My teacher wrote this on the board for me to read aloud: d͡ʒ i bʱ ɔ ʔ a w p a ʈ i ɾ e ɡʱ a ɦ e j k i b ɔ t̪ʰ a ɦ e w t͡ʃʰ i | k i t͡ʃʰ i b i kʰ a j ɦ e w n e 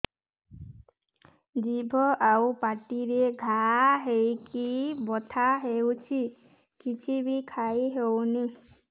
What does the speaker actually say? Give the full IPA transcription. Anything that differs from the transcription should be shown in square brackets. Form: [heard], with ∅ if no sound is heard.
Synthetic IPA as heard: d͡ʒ i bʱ ɔ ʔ a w p a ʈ i ɾ e ɡʱ a ɦ e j k i b ɔ t̪ʰ a ɦ e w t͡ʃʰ i | k i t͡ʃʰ i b i kʰ a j ɦ e w n [i]